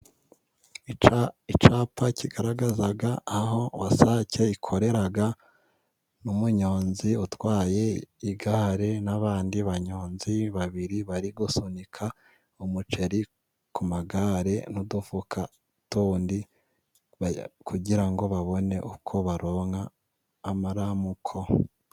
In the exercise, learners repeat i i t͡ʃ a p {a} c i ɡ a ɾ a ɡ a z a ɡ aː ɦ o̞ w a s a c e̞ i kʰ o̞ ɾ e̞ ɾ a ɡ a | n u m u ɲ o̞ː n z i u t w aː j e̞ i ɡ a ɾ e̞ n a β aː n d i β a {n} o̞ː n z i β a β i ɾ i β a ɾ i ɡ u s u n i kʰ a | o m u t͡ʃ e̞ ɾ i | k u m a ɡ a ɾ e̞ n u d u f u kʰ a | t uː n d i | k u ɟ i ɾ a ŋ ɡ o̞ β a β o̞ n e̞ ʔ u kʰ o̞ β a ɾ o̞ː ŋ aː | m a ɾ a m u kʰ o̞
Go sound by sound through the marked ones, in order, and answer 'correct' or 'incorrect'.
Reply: correct, incorrect: ɲ

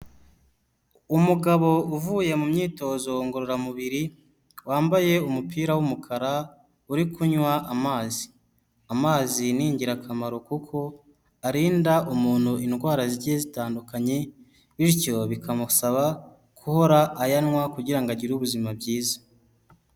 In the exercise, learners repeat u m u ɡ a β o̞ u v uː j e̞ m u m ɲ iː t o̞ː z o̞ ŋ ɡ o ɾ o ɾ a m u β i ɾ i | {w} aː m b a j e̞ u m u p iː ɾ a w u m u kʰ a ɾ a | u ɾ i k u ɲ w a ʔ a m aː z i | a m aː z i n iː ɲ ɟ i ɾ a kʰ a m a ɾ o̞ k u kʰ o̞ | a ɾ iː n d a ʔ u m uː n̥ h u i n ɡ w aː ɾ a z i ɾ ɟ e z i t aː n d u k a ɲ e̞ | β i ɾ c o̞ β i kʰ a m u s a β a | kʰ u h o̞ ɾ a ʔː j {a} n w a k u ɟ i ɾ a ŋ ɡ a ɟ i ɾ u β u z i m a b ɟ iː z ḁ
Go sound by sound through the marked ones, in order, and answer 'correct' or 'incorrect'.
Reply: correct, correct

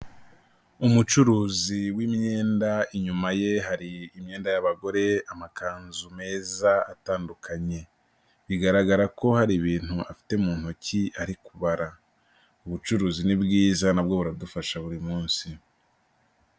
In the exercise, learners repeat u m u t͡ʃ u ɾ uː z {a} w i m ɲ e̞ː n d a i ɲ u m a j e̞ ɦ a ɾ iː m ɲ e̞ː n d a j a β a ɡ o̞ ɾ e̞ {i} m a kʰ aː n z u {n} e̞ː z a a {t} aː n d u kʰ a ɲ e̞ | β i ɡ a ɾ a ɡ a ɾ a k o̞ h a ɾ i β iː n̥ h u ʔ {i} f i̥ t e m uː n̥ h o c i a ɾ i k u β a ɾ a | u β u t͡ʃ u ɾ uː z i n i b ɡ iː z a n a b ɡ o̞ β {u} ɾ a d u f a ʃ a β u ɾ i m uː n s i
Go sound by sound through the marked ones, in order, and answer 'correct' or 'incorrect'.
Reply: incorrect: i, incorrect: a, incorrect: m, correct, incorrect: a, correct

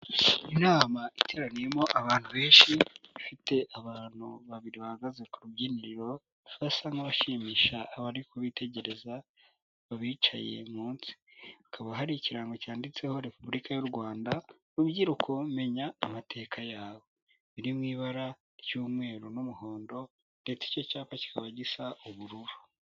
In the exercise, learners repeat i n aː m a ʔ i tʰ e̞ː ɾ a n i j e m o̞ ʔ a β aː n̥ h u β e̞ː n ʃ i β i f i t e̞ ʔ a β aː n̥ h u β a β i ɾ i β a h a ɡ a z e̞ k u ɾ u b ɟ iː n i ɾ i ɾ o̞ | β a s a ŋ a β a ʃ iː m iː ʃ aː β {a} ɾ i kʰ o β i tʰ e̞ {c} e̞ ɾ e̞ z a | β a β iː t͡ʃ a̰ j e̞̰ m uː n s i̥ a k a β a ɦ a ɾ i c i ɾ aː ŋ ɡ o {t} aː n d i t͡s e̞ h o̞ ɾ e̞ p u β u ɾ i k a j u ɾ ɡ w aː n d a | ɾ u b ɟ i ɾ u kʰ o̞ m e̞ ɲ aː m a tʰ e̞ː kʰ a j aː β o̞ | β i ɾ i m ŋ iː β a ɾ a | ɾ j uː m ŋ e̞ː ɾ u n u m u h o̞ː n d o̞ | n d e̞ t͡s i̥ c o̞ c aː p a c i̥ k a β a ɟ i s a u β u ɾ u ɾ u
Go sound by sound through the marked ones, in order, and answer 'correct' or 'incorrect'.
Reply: correct, incorrect: ɟ, incorrect: c

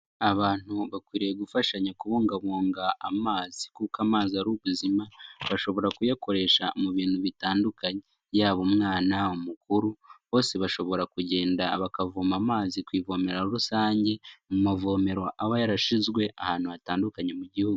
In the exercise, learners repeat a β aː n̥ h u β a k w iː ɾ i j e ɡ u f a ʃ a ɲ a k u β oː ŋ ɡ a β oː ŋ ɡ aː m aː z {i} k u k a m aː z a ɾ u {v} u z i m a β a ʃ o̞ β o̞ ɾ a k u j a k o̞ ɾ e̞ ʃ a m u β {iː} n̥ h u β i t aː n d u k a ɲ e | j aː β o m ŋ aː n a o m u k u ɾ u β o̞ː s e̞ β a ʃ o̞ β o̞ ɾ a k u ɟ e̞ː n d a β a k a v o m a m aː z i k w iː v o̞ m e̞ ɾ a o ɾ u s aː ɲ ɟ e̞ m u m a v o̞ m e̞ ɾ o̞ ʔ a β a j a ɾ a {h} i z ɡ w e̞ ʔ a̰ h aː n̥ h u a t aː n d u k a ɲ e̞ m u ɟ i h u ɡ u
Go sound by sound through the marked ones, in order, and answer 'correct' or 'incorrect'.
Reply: correct, incorrect: β, correct, incorrect: ʃ

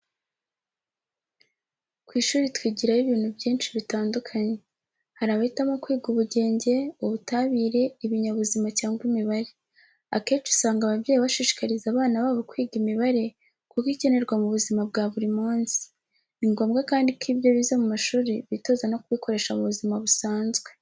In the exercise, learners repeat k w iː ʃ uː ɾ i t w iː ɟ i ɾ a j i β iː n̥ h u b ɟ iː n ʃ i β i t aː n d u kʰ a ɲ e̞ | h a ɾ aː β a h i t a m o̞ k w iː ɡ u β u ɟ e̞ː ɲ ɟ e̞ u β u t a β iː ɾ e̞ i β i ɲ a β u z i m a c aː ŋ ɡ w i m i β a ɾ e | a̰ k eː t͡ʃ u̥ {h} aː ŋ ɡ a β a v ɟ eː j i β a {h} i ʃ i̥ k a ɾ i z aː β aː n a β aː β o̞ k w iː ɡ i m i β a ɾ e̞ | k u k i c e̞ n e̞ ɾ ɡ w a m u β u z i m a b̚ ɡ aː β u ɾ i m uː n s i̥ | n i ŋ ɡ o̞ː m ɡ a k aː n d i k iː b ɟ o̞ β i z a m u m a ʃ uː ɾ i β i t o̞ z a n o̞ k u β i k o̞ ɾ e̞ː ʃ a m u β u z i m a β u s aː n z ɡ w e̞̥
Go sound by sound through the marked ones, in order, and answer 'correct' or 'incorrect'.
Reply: incorrect: s, incorrect: ʃ

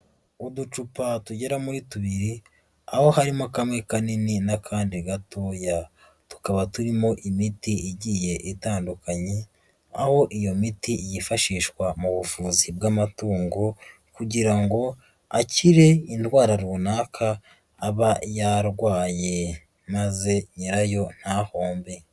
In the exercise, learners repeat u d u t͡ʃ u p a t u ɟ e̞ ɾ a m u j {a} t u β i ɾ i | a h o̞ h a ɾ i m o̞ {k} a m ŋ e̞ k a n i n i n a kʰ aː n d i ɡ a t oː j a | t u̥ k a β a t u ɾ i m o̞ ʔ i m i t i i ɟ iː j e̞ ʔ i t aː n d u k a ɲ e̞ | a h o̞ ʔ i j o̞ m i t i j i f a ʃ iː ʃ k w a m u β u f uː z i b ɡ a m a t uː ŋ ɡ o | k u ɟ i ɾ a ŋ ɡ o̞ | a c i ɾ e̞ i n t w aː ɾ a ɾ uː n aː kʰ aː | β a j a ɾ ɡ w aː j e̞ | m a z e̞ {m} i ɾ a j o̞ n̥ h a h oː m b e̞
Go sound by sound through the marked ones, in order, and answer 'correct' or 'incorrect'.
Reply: incorrect: i, correct, incorrect: ɲ

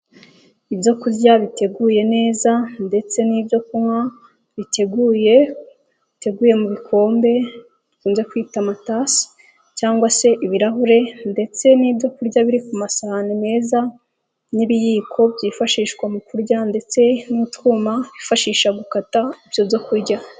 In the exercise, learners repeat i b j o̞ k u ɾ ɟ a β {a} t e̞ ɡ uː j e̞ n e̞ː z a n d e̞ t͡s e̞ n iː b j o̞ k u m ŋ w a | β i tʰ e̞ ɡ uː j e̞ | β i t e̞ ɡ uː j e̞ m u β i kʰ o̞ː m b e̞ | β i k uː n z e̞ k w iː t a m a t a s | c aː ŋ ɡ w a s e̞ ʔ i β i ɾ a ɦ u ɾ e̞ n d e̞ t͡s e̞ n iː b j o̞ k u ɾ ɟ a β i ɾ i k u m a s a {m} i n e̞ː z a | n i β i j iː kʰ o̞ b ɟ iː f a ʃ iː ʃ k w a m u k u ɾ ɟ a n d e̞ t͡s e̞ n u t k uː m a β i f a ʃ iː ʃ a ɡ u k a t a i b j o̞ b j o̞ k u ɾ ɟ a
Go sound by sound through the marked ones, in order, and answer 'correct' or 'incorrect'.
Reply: incorrect: i, incorrect: n

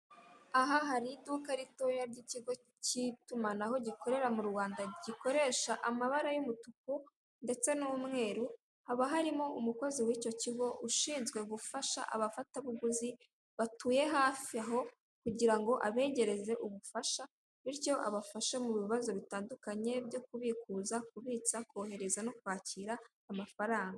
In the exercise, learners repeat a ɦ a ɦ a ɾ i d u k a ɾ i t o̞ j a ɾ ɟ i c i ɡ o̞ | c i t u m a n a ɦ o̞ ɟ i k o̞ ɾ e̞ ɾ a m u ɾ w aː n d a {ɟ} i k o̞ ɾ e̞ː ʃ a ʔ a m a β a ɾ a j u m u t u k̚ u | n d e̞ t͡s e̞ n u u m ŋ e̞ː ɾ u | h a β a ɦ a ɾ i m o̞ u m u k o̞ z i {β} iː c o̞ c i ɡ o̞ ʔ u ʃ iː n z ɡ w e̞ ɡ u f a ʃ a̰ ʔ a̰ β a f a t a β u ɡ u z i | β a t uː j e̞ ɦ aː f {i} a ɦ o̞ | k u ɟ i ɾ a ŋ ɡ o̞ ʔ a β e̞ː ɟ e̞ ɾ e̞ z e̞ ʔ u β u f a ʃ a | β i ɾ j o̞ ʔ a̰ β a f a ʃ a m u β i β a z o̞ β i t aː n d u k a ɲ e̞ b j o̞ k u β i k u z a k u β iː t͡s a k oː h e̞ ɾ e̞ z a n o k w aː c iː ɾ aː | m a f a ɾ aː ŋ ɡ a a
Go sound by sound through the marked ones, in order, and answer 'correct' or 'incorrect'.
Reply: correct, incorrect: w, correct

